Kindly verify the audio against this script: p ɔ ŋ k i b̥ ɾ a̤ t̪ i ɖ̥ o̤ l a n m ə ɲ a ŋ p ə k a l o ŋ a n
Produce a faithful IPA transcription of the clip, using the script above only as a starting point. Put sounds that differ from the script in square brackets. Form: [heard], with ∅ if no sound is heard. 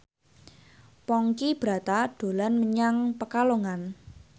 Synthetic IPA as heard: p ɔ ŋ k i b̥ ɾ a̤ t̪ [a] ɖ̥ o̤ l a n m ə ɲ a ŋ p ə k a l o ŋ a n

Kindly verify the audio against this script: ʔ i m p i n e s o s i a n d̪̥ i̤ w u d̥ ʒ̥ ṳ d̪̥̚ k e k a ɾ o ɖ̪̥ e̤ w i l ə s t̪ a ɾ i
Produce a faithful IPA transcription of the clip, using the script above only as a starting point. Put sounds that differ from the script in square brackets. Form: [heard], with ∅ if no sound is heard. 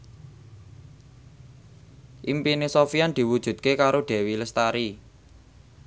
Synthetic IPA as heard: ʔ i m p i n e s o [f] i a n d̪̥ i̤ w u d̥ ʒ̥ ṳ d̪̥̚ k e k a ɾ o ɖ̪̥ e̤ w i l ə s t̪ a ɾ i

